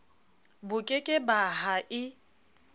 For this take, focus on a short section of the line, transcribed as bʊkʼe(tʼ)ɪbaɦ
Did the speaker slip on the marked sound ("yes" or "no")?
yes